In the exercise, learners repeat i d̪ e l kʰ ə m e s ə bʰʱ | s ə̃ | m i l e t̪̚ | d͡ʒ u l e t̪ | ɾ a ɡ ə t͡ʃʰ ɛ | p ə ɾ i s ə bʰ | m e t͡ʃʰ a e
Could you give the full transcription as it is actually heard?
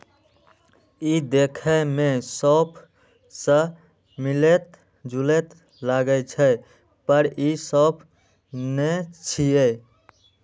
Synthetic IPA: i d̪ e kʰ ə m e s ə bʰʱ | s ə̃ | m i l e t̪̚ | d͡ʒ u l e t̪ | l a ɡ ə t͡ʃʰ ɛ | p ə ɾ i s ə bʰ | n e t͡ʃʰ i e